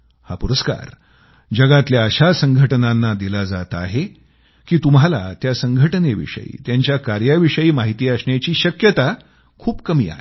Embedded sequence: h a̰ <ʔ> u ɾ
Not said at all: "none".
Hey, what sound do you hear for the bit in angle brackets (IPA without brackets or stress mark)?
p